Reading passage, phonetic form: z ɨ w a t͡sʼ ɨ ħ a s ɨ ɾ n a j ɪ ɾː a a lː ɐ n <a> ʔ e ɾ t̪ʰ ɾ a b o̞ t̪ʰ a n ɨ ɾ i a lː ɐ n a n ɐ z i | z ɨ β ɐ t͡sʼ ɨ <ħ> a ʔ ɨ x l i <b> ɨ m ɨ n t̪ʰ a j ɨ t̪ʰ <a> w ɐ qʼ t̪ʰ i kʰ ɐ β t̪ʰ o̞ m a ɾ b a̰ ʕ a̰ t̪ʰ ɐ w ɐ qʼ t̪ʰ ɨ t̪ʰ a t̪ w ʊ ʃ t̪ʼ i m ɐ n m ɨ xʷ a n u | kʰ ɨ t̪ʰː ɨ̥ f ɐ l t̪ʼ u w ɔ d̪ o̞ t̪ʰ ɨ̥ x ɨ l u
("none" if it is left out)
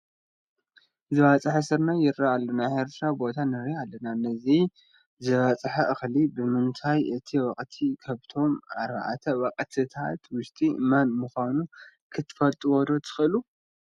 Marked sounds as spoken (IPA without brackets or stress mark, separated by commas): a, ħ, b, i